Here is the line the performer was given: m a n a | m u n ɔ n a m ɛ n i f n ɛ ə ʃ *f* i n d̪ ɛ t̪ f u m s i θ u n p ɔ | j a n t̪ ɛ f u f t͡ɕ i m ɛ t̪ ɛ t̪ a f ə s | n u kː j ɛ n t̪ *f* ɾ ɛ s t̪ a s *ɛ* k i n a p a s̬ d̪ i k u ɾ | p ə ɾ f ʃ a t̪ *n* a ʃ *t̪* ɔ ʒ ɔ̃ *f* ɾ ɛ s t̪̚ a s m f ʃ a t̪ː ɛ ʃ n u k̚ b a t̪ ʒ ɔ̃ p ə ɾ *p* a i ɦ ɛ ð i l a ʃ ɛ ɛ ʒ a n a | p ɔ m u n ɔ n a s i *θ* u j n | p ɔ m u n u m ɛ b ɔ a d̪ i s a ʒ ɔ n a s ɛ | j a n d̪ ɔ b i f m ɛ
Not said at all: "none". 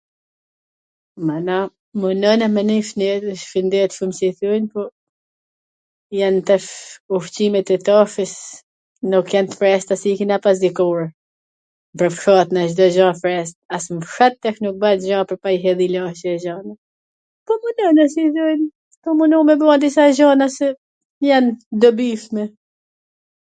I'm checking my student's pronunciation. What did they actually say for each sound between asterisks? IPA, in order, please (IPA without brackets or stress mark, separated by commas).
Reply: f, f, i, n, d̪, f, p, θ